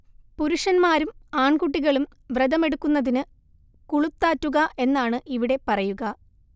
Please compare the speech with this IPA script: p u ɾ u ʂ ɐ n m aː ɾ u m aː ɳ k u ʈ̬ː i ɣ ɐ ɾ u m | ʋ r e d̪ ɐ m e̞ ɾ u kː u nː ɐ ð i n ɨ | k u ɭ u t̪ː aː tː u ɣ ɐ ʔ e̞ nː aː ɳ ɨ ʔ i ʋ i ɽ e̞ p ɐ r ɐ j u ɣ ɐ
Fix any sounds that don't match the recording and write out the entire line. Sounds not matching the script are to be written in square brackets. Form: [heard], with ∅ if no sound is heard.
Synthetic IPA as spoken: p u ɾ u ʂ ɐ n m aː ɾ u m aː ɳ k u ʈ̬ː i ɣ ɐ [ɭ] u m | ʋ r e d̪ ɐ m e̞ [ɽ] u kː u nː ɐ ð i n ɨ | k u ɭ u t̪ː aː tː u ɣ ɐ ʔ e̞ nː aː ɳ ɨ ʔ i ʋ i ɽ e̞ p ɐ r ɐ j u ɣ ɐ